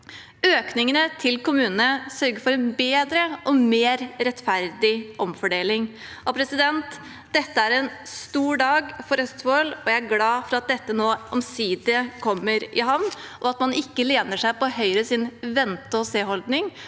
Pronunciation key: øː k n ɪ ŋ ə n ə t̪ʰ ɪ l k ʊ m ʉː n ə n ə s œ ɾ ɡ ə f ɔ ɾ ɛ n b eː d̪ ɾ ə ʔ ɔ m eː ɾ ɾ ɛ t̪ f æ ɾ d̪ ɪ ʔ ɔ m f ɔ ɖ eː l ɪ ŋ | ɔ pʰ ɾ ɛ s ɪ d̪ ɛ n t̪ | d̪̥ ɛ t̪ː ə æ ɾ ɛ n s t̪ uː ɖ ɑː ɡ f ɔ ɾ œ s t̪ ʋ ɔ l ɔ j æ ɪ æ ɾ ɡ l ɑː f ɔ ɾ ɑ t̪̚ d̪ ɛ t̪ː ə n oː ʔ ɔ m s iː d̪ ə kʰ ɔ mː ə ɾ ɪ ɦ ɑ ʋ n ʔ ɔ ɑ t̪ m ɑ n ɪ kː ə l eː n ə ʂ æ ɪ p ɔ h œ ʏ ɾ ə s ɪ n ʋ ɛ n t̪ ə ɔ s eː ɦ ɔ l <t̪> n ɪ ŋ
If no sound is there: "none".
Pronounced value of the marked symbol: d̪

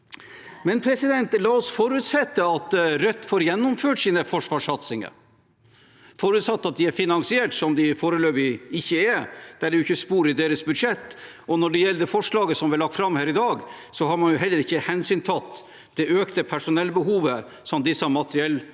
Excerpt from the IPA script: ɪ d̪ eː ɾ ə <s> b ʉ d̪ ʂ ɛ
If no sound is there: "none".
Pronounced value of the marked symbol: s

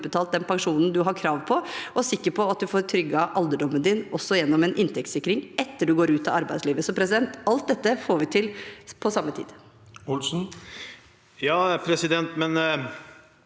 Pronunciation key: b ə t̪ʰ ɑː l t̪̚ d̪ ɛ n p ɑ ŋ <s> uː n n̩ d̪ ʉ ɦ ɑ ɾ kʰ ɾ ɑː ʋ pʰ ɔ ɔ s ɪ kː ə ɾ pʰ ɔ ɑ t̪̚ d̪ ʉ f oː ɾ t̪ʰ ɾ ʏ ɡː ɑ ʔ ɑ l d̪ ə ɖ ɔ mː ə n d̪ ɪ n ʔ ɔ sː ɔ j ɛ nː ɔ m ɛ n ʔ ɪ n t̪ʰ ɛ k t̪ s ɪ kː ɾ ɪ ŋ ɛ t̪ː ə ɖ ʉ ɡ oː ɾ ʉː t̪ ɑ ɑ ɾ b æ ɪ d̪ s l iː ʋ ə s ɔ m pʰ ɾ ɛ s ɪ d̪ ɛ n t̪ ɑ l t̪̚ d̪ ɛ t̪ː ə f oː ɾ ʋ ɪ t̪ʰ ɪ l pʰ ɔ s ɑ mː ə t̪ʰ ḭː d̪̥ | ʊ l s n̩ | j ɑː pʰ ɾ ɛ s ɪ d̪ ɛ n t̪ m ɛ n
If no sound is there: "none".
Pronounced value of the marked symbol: ʂ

